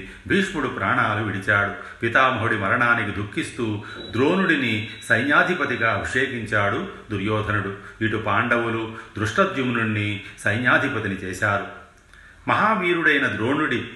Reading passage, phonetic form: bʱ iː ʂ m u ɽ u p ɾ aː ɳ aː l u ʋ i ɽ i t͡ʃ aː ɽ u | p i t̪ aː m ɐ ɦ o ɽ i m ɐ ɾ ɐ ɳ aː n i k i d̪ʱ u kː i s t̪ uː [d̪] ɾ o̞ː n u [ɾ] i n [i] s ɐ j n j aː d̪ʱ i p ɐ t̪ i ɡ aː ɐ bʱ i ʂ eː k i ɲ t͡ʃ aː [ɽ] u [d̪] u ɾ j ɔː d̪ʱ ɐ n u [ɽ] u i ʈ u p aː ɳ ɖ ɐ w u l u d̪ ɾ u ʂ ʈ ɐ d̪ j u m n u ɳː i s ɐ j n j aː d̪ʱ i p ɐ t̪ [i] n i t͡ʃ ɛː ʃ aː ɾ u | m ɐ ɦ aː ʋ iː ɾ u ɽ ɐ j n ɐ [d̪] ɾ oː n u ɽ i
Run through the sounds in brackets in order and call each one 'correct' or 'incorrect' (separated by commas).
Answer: correct, incorrect, correct, correct, correct, correct, correct, correct